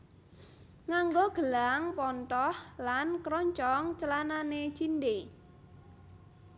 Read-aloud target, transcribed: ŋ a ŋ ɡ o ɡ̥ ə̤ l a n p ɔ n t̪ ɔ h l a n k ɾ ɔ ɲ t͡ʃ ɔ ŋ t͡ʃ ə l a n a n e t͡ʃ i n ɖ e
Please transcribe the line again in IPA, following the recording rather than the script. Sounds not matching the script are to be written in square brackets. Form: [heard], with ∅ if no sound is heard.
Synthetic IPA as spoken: ŋ a ŋ ɡ o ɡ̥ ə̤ l a [ŋ] p ɔ n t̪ ɔ h l a n k ɾ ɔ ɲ t͡ʃ ɔ ŋ t͡ʃ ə l a n a n e t͡ʃ i n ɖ e